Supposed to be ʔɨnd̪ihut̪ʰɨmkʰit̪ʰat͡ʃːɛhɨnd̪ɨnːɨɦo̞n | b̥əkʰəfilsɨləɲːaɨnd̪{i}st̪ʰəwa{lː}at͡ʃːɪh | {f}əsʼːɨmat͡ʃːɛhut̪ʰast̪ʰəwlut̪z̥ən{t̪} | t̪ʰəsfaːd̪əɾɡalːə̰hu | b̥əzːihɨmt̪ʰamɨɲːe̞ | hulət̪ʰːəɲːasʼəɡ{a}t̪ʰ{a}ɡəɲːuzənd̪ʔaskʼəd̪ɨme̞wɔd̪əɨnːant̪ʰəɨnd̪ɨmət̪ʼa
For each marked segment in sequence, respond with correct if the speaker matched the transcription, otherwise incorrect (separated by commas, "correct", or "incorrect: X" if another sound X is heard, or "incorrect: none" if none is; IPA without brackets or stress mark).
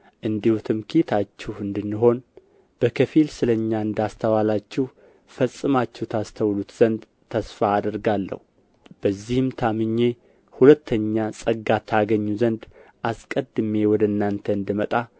incorrect: a, incorrect: l, correct, incorrect: d̪, correct, correct